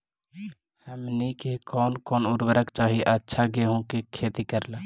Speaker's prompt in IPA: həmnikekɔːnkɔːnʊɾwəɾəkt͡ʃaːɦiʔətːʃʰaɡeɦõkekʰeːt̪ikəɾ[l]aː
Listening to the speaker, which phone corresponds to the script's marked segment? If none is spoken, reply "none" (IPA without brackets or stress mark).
l